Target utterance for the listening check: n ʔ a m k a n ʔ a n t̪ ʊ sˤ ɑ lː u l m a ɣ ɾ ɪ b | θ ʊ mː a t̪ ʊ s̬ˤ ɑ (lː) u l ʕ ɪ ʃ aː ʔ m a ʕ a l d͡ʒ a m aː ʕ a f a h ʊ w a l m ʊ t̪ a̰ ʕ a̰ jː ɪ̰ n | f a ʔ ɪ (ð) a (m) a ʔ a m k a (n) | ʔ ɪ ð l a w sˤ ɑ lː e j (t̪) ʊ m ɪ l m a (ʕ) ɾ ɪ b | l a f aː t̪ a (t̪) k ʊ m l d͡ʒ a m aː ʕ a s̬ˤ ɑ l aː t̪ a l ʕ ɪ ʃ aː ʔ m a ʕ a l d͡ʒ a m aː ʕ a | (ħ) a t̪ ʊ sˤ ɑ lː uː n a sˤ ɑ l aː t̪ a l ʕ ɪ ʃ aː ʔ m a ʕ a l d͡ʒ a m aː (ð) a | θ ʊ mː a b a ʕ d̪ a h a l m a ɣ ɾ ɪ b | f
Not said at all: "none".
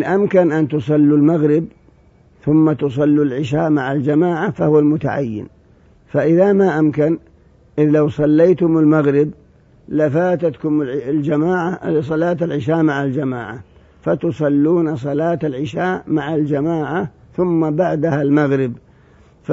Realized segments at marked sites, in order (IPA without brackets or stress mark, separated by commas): lː, ð, m, n, t̪, ɣ, t̪, f, ʕ